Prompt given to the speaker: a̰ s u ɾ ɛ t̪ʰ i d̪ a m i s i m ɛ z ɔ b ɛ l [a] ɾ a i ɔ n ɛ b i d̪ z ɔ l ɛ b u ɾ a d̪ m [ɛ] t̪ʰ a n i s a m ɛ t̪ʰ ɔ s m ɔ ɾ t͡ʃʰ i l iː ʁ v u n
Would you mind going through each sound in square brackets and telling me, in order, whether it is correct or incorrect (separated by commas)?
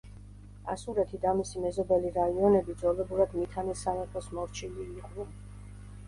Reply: incorrect, incorrect